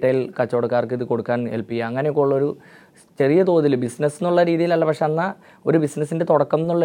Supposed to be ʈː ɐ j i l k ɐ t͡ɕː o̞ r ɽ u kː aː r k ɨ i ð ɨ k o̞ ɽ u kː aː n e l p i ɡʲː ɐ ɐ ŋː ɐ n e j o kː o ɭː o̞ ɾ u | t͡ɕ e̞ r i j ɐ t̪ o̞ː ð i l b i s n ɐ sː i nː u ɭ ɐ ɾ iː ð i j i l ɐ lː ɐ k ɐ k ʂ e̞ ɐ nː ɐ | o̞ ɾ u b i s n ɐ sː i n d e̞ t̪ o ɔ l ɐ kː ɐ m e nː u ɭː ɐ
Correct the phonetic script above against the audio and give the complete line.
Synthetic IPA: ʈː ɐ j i l k ɐ t͡ɕː o̞ ɽ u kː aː r k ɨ i ð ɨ k o̞ ɽ u kː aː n e l p i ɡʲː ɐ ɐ ŋː ɐ n e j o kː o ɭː o̞ ɾ u | t͡ɕ e̞ r i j ɐ t̪ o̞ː ð i l b i s n ɐ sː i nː u ɭː ɐ ɾ iː ð i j i l ɐ lː ɐ p ɐ k ʂ e̞ ɐ nː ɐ | o̞ ɾ u b i s n ɐ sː i n d e̞ t̪ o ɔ ɽ ɐ kː ɐ m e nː u ɭː ɐ